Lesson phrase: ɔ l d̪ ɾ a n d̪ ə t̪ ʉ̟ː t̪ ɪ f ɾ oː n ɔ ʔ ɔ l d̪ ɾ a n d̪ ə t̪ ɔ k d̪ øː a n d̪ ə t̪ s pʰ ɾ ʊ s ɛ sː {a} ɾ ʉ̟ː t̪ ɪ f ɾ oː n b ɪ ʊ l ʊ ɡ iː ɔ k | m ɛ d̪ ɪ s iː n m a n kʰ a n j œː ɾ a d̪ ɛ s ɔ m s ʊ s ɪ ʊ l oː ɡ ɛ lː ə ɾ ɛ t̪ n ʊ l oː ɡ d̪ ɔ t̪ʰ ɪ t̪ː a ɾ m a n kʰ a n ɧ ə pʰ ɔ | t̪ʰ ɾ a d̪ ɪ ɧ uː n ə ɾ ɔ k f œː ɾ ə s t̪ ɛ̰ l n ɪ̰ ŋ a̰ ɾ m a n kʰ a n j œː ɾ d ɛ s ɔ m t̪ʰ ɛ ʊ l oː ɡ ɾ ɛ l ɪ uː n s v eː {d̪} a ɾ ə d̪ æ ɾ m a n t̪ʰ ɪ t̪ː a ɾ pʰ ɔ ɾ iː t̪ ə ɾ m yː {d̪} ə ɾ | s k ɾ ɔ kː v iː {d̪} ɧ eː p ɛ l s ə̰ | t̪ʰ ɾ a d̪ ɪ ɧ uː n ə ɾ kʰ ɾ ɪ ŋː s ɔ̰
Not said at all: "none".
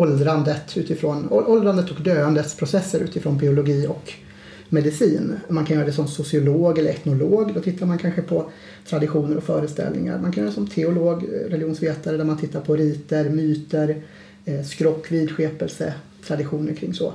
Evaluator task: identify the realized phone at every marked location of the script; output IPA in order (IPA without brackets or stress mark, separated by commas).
ə, t̪, t̪, d̪